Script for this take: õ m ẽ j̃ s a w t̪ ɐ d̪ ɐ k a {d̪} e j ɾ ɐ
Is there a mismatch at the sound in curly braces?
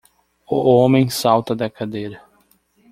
no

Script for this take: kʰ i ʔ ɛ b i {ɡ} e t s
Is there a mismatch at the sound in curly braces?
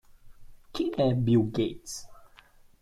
no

